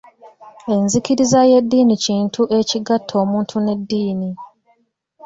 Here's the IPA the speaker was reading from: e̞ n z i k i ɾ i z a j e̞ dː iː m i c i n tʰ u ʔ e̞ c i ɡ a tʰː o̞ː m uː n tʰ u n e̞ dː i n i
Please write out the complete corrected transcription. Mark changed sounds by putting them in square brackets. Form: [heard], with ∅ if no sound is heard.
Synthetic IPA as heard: e̞ n z i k i ɾ i z a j e̞ dː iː [n] i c [iː] n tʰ u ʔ e̞ c i ɡ a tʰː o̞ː m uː n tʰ u n e̞ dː [iː] n i